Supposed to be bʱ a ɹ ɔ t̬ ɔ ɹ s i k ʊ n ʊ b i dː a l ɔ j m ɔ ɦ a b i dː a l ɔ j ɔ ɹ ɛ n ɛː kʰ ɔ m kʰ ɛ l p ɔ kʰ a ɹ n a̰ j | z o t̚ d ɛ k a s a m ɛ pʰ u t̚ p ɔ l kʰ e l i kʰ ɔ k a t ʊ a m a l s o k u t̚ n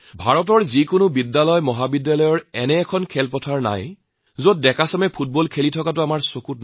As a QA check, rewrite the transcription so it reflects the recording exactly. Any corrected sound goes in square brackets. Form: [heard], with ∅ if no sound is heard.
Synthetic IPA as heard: bʱ a ɹ ɔ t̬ ɔ ɹ [z] i k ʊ n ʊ b i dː a l ɔ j m ɔ ɦ a b i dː a l ɔ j ɔ ɹ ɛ n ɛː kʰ ɔ [n] kʰ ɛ l p ɔ [tʰ] a ɹ n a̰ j | z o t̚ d ɛ k a s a m ɛ pʰ u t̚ [b] ɔ l kʰ e l i [tʰ] ɔ k a t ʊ a m a [ɹ] s o k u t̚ n